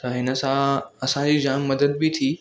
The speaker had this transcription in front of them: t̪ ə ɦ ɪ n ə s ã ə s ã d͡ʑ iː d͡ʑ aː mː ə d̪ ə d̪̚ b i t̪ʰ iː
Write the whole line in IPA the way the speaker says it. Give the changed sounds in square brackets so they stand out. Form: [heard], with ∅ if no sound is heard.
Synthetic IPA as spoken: t̪ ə ɦ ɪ n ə s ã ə s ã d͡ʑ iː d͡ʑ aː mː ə d̪ ə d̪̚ b i t̪ʰ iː